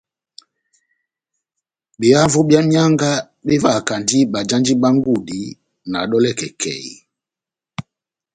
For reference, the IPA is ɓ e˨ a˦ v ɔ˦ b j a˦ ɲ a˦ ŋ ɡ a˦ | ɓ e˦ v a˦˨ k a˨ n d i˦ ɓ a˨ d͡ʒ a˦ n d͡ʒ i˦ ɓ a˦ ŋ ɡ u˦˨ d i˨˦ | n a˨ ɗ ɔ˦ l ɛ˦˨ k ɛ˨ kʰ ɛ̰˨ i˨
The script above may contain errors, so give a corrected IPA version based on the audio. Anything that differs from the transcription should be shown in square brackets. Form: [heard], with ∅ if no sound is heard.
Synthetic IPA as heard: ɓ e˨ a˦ v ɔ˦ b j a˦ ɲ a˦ ŋ ɡ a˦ | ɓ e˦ v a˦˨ k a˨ n d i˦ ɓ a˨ d͡ʒ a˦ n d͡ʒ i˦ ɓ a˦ ŋ ɡ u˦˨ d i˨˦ | n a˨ ɗ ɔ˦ l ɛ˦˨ k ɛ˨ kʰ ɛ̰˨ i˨